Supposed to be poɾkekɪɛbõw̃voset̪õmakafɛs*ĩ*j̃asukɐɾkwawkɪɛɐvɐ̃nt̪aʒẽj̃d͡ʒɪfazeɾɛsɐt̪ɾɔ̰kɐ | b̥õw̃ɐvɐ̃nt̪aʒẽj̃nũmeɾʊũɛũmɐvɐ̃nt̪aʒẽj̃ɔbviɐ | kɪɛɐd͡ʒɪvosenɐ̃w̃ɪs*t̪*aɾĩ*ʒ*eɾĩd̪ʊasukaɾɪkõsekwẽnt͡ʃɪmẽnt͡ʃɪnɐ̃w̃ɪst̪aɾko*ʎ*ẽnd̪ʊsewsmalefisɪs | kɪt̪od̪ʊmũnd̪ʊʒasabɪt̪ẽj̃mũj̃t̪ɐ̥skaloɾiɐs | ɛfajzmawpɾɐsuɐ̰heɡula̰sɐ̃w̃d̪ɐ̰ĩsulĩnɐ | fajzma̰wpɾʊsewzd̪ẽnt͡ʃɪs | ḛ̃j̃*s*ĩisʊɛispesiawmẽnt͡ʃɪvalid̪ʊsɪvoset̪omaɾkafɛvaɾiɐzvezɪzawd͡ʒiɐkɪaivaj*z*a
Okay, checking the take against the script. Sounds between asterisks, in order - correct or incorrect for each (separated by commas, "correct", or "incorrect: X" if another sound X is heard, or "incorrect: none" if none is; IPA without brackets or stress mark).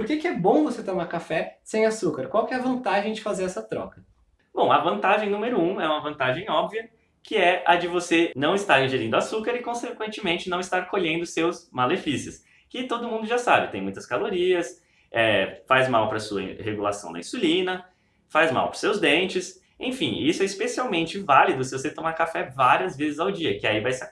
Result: incorrect: ẽ, correct, correct, correct, incorrect: f, incorrect: s